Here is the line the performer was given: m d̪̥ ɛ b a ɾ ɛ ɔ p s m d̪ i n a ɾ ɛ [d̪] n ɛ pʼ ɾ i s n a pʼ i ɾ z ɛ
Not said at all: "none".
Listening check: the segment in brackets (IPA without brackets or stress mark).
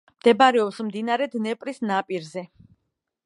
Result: d̪